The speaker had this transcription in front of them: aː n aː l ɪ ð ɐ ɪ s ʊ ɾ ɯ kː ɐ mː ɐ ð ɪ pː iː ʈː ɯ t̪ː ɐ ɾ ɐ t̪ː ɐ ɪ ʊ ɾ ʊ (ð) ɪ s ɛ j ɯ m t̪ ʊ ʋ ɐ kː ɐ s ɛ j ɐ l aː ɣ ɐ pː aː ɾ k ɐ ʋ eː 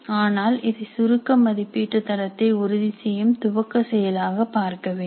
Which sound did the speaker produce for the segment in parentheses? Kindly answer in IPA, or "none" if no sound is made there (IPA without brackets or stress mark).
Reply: ð